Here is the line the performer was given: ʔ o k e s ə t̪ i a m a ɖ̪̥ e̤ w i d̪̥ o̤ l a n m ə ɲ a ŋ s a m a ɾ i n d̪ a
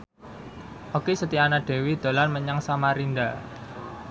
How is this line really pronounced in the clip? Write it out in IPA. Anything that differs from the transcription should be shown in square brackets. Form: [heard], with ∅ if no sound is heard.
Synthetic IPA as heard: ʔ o k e s ə t̪ i a [n] a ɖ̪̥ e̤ w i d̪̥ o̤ l a n m ə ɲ a ŋ s a m a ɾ i n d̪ a